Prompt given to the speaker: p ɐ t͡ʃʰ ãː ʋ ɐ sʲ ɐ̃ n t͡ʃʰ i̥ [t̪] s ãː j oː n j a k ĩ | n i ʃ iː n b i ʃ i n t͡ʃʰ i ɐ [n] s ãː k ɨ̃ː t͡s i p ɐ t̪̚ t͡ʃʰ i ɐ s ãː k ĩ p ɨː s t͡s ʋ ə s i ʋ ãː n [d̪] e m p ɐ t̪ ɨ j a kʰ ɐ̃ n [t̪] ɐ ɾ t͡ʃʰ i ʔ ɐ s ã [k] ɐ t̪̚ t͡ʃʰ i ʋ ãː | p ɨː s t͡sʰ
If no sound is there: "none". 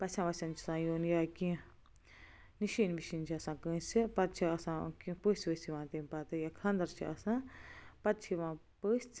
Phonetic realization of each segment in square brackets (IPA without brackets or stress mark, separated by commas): none, none, t̪, d̪, p